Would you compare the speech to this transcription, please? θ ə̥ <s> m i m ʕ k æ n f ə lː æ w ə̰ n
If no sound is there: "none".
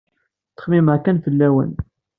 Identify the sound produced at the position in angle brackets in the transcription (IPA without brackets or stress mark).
χ